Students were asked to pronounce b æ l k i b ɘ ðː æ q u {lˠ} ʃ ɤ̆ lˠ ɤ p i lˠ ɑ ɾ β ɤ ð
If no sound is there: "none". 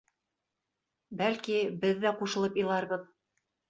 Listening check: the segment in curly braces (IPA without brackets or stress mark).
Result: none